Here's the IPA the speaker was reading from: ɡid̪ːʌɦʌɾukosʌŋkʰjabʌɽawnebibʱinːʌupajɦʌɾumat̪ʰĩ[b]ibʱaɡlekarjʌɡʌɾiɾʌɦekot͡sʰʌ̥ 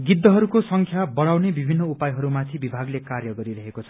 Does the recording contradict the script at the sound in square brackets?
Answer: no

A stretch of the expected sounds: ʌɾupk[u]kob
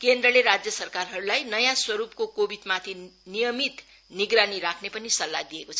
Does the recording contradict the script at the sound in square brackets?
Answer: yes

